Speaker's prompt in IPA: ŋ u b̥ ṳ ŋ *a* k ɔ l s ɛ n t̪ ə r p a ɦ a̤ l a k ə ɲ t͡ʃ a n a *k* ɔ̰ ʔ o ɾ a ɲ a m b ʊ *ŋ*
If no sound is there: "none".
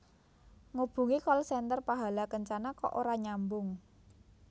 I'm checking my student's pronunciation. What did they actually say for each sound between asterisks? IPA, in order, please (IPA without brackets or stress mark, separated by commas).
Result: i, k, ŋ